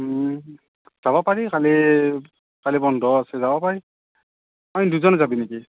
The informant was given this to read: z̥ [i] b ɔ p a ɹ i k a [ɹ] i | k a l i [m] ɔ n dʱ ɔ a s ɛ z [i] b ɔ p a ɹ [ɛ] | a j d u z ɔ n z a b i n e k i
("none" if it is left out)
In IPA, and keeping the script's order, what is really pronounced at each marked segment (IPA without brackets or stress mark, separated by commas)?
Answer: a, l, b, a, i